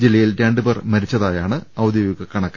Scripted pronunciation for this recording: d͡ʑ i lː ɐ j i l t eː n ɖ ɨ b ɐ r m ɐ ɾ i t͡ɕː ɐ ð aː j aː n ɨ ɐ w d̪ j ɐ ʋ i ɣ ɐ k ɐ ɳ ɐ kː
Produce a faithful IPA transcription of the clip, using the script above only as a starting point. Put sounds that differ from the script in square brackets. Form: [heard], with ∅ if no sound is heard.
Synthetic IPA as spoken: d͡ʑ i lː ɐ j i l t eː [ɳ] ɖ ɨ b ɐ r m ɐ ɾ i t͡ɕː ɐ ð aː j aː [ɳ] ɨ ɐ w d̪ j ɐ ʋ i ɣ ɐ k ɐ ɳ ɐ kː

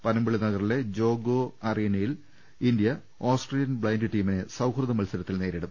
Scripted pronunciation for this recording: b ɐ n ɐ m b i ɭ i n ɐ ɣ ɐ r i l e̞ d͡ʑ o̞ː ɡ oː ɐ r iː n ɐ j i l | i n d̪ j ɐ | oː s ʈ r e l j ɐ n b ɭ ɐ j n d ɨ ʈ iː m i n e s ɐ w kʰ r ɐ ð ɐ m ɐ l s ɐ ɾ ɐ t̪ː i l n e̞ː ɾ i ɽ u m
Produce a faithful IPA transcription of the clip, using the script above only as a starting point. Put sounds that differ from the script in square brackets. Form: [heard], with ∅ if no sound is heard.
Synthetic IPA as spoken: [p] ɐ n ɐ m b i ɭ i n ɐ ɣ ɐ r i l e̞ d͡ʑ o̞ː ɡ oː ɐ r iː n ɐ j i l | i n d̪ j ɐ | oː s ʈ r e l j ɐ n b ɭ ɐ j n d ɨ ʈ iː m i n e s ɐ w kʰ r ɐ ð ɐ m ɐ l s ɐ ɾ ɐ t̪ː i l n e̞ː ɾ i ɽ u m

